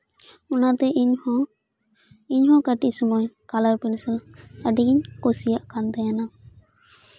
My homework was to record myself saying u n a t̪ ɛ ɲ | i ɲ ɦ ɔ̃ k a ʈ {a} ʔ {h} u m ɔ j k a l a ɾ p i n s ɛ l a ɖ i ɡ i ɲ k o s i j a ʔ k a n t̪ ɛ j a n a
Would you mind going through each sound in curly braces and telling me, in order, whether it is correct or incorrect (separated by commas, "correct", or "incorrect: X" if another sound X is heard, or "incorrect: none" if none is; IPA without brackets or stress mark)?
incorrect: i, incorrect: s